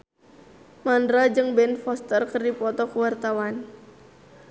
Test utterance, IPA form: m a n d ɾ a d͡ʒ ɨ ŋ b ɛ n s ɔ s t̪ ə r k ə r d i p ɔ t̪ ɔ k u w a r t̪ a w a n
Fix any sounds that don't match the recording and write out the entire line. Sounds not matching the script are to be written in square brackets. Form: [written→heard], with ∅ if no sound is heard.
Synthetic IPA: m a n d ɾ a d͡ʒ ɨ ŋ b ɛ n [s→f] ɔ s t̪ ə r k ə r d i p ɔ t̪ ɔ k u w a r t̪ a w a n